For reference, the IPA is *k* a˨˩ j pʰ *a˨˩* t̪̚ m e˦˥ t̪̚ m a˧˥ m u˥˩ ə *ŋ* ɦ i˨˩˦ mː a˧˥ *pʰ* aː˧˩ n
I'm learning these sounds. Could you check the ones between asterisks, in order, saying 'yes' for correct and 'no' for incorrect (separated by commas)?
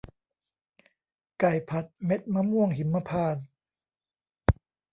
yes, yes, yes, yes